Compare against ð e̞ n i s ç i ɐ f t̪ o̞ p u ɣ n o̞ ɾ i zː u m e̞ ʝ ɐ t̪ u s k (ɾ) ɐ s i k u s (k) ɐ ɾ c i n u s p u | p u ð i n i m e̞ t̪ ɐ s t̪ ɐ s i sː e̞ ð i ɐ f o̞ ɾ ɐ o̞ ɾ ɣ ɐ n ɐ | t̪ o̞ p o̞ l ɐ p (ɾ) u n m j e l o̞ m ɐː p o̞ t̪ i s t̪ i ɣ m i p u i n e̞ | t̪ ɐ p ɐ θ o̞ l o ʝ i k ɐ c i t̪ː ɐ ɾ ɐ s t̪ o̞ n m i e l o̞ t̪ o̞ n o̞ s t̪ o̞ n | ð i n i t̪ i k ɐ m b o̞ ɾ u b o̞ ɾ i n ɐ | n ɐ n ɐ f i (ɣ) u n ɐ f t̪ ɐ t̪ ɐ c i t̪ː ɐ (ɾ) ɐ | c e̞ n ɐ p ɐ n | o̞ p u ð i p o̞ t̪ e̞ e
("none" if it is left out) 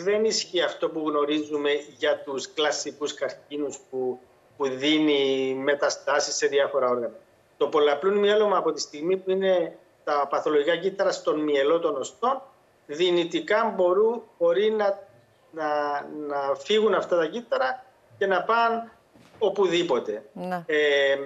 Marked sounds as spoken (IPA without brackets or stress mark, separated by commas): l, k, l, ɣ, ɾ